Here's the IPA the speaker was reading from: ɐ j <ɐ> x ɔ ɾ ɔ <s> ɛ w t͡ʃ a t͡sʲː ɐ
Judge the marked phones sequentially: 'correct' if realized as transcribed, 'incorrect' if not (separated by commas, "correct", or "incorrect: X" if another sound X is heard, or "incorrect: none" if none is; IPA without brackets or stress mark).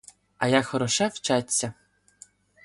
incorrect: a, incorrect: ʃ